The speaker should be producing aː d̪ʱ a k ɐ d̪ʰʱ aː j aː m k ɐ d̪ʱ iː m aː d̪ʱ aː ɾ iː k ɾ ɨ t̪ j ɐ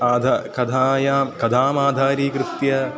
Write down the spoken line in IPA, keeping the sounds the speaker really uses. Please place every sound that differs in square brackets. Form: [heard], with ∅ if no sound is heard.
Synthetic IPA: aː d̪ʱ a k ɐ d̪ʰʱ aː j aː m k ɐ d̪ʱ [aː] m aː d̪ʱ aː ɾ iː k ɾ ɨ t̪ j ɐ

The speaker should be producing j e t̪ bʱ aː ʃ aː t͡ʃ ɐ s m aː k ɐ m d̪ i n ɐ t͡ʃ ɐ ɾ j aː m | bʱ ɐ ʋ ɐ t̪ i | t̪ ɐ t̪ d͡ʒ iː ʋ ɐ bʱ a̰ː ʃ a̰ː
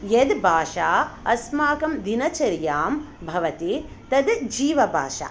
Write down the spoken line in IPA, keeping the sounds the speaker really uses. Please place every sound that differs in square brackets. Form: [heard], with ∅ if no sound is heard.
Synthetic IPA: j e [d̪] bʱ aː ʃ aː [∅] ɐ s m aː k ɐ m d̪ i n ɐ t͡ʃ ɐ ɾ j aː m | bʱ ɐ ʋ ɐ t̪ i | t̪ ɐ [d̪] d͡ʒ iː ʋ ɐ bʱ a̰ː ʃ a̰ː

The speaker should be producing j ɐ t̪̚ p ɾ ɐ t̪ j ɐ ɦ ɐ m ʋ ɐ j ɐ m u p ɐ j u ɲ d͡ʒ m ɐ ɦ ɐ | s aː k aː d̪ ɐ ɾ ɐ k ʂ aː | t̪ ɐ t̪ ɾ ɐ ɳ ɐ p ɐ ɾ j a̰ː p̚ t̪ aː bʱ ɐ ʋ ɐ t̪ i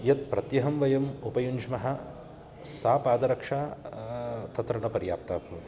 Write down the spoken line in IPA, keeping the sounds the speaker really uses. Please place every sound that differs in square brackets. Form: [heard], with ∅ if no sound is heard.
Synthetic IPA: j ɐ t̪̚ p ɾ ɐ t̪ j ɐ ɦ ɐ m ʋ ɐ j ɐ m u p ɐ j u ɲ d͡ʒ m ɐ ɦ ɐ | s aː [p] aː d̪ ɐ ɾ ɐ k ʂ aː | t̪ ɐ t̪ ɾ ɐ ɳ ɐ p ɐ ɾ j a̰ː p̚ t̪ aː bʱ ɐ ʋ ɐ t̪ i

